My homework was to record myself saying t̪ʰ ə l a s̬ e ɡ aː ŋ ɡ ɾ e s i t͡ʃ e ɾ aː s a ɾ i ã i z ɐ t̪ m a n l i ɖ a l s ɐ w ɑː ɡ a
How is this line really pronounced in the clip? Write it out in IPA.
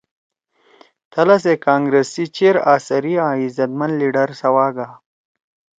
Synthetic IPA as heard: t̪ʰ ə l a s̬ e k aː ŋ ɡ ɾ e s i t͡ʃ e ɾ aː s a ɾ i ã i z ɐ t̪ m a n l i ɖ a ɾ s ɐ w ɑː ɡ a